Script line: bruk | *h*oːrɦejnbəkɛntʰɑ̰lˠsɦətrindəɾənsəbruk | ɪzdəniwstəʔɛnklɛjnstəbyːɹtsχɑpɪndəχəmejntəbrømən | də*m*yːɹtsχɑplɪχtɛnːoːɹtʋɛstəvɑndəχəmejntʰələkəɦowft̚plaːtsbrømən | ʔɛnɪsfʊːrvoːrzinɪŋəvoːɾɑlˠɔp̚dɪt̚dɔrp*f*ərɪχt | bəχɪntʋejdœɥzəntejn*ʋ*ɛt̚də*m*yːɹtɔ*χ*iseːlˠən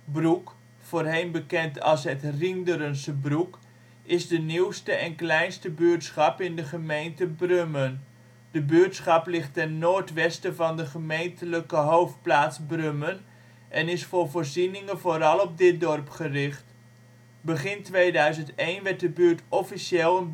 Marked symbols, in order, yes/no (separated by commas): no, no, no, yes, no, no